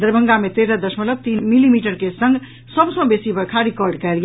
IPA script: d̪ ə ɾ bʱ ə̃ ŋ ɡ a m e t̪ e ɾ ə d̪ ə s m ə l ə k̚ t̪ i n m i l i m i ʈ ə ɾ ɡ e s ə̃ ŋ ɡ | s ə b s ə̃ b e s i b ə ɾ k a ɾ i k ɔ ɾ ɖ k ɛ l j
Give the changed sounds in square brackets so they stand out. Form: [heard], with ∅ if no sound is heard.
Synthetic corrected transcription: d̪ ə ɾ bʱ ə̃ ŋ ɡ a m e t̪ e ɾ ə d̪ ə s m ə l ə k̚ t̪ i n m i l i m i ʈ ə ɾ [k] e s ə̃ ŋ ɡ | s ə b s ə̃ b e s i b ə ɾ [kʰ] a ɾ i k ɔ ɾ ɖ k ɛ l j